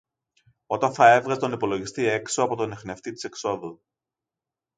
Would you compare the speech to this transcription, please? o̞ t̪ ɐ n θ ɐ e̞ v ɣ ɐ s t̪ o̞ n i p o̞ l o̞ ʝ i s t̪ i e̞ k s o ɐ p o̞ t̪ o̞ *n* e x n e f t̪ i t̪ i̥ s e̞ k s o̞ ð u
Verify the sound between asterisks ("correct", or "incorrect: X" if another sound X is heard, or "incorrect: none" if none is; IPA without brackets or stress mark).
correct